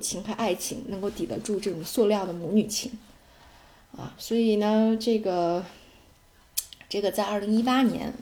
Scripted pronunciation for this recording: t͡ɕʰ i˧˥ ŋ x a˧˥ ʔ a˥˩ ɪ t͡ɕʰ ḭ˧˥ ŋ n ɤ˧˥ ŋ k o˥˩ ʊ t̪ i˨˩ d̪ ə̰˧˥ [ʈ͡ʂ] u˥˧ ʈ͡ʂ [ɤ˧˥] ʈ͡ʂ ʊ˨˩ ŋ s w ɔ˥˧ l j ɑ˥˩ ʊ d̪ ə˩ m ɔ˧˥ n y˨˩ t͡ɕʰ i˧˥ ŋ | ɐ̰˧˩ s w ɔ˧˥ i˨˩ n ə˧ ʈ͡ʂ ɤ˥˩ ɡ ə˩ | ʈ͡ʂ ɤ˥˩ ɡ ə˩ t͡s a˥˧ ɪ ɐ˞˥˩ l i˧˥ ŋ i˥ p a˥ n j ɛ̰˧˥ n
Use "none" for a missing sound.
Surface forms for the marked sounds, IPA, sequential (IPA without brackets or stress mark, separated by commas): ʈ͡ʂ, ɤ˥˩